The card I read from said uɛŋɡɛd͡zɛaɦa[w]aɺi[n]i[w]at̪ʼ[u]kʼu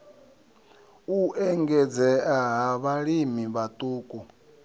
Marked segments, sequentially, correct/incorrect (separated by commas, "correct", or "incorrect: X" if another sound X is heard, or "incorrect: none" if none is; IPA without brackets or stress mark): incorrect: β, incorrect: m, incorrect: β, incorrect: uː